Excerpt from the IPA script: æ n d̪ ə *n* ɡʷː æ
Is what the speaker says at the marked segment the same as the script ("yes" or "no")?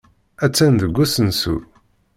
no